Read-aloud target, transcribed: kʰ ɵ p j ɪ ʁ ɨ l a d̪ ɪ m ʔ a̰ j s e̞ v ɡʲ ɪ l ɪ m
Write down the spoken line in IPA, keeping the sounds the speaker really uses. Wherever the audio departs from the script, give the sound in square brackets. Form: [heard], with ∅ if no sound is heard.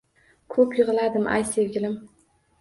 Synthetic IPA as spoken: kʰ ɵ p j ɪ ʁ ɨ l a d̪ ɪ m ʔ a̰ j s e̞ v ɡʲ ɪ l ɪ m

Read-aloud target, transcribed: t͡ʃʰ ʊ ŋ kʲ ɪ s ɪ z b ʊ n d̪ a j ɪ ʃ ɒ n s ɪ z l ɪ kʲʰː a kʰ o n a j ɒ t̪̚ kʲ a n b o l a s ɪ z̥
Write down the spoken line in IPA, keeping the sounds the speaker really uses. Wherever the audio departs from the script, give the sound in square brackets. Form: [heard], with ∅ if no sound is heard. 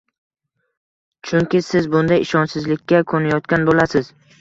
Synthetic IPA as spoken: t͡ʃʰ ʊ ŋ kʲ ɪ s ɪ z b ʊ n d̪ a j ɪ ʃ ɒ n s ɪ z l ɪ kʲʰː a kʰ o n a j ɒ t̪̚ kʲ a n b o l a s ɪ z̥

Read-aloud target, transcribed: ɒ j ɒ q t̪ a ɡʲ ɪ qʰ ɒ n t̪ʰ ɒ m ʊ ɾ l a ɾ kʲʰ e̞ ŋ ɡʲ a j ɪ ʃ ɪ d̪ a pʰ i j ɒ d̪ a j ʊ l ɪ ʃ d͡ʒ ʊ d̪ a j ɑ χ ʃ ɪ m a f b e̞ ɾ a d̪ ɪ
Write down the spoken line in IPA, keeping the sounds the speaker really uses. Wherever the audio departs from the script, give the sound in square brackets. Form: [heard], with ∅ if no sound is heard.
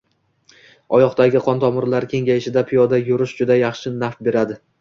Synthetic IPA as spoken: ɒ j ɒ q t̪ a ɡʲ ɪ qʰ ɒ n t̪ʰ ɒ m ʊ ɾ l a ɾ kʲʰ e̞ ŋ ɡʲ a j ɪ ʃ ɪ d̪ a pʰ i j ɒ d̪ a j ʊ [ɾ] ɪ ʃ d͡ʒ ʊ d̪ a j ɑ χ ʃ ɪ [n] a f b e̞ ɾ a d̪ ɪ

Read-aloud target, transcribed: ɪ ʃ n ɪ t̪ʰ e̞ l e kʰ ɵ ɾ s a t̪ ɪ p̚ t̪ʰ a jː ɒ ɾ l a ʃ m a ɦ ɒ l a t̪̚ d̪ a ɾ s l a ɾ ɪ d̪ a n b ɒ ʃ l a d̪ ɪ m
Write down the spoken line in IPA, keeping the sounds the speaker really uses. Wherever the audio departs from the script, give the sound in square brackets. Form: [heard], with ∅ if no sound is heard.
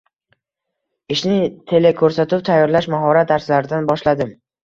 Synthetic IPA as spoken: ɪ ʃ n ɪ t̪ʰ e̞ l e kʰ ɵ ɾ s a t̪ ɪ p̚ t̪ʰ a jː ɒ ɾ l a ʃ m a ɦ ɒ [ɾ] a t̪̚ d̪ a ɾ s l a ɾ ɪ d̪ a n b ɒ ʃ l a d̪ ɪ m

